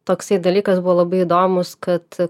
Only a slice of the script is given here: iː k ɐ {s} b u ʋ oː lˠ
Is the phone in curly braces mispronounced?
no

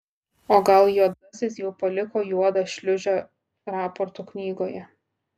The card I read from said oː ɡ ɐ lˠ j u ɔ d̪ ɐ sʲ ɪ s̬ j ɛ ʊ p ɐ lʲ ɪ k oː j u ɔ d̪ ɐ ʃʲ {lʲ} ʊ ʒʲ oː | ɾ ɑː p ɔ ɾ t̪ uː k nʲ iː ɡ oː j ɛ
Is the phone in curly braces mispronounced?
no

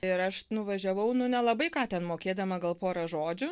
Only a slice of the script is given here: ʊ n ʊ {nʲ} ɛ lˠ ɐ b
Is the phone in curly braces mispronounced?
no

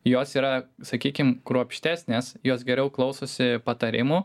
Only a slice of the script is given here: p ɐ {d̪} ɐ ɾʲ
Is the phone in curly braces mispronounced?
yes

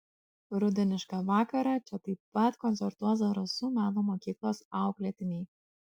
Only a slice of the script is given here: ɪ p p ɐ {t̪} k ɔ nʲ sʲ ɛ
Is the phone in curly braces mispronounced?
no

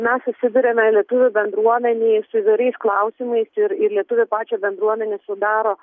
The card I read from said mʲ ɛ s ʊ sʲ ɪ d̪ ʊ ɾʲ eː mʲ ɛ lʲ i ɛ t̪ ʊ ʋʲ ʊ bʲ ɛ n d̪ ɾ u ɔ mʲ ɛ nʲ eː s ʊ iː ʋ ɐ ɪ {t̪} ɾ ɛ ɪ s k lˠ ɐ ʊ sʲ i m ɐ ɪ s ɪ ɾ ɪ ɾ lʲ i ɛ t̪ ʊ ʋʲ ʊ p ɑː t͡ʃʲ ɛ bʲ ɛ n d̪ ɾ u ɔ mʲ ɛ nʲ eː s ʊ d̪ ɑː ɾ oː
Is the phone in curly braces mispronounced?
yes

